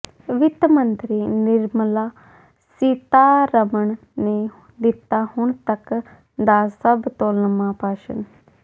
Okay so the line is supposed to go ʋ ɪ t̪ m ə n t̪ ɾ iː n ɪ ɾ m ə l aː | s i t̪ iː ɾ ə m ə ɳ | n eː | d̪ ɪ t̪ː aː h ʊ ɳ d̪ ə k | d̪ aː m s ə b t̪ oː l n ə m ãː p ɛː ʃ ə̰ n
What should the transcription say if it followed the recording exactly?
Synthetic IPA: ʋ ɪ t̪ m ə n t̪ ɾ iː n ɪ ɾ m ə l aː | s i t̪ aː ɾ ə m ə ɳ | n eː | d̪ ɪ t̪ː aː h ʊ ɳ t̪ ə k | d̪ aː s ə b t̪ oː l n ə m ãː p aː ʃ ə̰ n